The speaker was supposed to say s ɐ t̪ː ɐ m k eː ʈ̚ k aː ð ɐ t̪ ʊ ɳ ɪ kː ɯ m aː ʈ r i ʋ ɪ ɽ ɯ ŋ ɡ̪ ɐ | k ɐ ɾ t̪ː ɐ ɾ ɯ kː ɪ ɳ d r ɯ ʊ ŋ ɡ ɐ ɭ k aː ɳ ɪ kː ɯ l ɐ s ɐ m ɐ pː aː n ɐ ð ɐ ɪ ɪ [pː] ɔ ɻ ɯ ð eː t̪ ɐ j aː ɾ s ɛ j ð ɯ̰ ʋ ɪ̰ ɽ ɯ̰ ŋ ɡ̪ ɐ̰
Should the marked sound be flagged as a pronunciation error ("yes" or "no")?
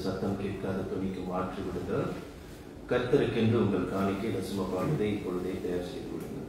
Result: no